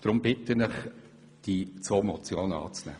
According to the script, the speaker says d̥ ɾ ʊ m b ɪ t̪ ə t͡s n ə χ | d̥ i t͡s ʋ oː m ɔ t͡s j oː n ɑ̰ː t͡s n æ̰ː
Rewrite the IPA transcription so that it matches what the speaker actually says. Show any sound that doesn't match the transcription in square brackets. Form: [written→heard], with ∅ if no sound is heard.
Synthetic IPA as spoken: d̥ ɾ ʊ m b ɪ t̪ ə [t͡s→∅] n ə χ | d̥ i t͡s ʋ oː m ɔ t͡s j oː n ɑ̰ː t͡s n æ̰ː

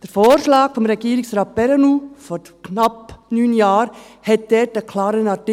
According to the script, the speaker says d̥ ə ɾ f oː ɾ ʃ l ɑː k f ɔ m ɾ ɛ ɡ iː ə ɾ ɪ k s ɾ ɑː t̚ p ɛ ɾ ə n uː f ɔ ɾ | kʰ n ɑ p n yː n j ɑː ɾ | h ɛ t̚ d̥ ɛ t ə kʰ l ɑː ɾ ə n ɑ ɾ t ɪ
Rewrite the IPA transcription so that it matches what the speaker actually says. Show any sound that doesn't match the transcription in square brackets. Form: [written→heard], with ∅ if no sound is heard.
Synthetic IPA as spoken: d̥ ə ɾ f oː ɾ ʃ l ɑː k f ɔ m ɾ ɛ ɡ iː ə ɾ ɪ k s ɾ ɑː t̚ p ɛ ɾ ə n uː f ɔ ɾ | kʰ n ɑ p n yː n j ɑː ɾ | h ɛ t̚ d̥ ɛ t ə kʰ l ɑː ɾ ə n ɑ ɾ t ɪ

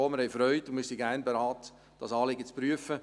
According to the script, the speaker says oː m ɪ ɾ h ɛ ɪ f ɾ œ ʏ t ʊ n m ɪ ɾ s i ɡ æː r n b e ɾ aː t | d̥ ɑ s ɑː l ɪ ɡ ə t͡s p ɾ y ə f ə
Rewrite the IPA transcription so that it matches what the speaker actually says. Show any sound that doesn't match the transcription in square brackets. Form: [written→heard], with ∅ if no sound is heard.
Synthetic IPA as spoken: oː m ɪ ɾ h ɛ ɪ f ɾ œ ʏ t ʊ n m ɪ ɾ s i ɡ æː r n b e ɾ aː t | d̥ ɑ s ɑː l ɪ ɡ ə t͡s p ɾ y ə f ə

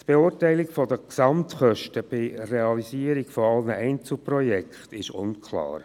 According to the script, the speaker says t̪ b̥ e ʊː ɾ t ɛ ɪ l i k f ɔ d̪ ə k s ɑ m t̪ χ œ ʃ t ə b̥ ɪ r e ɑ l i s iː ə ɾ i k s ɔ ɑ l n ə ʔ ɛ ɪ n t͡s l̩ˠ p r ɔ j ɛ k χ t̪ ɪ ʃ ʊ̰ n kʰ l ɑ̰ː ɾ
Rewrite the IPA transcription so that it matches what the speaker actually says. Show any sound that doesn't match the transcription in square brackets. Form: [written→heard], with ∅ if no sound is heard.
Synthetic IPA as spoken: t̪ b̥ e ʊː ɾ t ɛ ɪ l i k f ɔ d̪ ə k s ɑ m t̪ χ œ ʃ t ə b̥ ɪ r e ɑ l i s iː ə ɾ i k [s→f] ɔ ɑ l n ə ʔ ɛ ɪ n t͡s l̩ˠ p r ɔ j ɛ k χ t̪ ɪ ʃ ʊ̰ n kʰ l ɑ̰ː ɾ

